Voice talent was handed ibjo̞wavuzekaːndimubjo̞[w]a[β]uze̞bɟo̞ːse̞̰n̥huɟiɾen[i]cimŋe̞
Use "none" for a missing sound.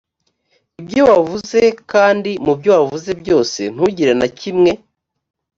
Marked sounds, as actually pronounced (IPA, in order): w, v, a

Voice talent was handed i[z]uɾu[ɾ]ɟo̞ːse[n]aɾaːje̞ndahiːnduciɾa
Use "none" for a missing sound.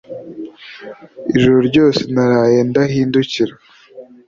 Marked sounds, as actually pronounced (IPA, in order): ʒ, ɾ, n

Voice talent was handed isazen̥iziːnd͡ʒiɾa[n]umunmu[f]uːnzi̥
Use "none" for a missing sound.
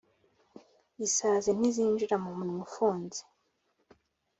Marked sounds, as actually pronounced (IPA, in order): m, f

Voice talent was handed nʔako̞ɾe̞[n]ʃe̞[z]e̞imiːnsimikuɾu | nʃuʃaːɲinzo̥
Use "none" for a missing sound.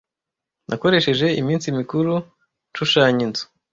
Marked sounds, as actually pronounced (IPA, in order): none, ʒ

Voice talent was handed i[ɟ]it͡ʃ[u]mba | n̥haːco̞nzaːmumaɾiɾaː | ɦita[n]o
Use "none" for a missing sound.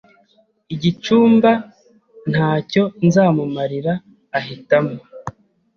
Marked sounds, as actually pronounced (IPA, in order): ɟ, uː, m

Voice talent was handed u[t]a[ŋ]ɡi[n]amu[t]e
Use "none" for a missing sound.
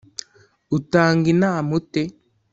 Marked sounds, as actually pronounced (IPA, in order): t, ŋ, n, t

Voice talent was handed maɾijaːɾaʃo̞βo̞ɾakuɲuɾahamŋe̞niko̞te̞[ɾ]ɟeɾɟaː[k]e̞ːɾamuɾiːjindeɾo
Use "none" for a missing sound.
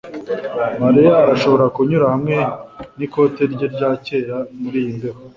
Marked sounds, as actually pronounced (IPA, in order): ɾ, c

